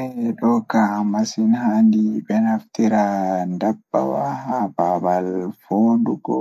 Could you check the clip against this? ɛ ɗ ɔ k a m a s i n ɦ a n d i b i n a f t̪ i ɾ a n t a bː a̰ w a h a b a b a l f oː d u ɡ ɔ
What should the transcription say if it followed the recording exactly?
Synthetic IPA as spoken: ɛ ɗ ɔ k a m a s i n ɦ a n d i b ɛ n a f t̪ i ɾ a n d a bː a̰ w a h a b a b a l f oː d u ɡ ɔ